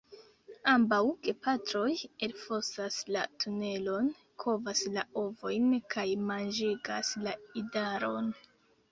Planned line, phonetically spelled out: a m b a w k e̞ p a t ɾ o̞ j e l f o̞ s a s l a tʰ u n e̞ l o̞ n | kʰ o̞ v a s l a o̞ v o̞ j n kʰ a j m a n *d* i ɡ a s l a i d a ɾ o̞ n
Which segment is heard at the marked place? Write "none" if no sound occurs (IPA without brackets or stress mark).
d͡ʒ